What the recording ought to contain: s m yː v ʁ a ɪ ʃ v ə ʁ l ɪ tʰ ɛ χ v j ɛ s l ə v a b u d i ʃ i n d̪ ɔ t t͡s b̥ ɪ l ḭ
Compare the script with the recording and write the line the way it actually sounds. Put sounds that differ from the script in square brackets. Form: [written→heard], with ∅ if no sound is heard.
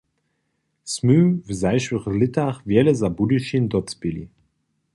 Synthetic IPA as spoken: s m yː v [ʁ→z] a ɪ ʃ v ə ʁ l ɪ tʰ [ɛ→a] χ v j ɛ [s→∅] l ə [v→z] a b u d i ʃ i n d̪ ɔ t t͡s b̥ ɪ l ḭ